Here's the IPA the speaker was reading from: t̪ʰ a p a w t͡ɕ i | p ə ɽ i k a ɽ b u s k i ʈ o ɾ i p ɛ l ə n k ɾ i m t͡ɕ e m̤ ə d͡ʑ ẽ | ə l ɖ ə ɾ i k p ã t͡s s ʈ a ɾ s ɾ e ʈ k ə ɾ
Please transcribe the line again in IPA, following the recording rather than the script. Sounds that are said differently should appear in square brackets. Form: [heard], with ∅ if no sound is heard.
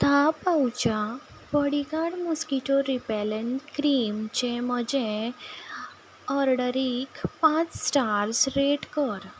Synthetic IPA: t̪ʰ a p a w t͡ɕ [a] | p ə ɽ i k a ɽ [m] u s k i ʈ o ɾ i p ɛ l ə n k ɾ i m t͡ɕ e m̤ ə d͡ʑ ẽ | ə [ɾ] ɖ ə ɾ i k p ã t͡s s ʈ a ɾ s ɾ e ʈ k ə ɾ